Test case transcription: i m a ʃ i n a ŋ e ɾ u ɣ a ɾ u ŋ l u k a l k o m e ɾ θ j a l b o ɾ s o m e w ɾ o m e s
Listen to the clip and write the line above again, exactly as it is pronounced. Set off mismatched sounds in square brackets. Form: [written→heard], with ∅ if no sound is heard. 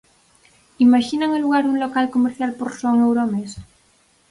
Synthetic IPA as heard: i m a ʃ i n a ŋ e [ɾ→l] u ɣ a ɾ u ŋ l [u→o] k a l k o m e ɾ θ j a l [b→p] o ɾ s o [m→ŋ] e w ɾ o m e s